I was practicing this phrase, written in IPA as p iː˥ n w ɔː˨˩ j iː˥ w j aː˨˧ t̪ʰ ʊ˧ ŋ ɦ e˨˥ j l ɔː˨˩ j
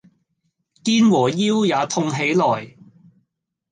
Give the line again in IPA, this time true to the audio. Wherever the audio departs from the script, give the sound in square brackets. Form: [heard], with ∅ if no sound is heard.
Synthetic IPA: [k] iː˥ n w ɔː˨˩ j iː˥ w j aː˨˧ t̪ʰ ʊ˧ ŋ ɦ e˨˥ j l ɔː˨˩ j